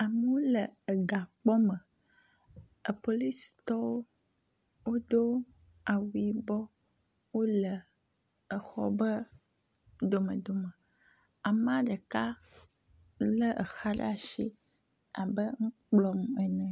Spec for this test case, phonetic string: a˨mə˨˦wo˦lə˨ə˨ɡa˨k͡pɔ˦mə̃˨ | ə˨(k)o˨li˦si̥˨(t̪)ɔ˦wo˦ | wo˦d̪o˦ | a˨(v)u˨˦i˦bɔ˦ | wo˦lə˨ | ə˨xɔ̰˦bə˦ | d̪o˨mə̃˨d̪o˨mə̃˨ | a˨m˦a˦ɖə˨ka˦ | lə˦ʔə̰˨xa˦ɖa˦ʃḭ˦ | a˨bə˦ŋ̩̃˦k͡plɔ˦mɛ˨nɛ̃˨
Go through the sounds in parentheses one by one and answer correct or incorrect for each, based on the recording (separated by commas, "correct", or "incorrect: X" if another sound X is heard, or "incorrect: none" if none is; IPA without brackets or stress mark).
incorrect: p, correct, incorrect: w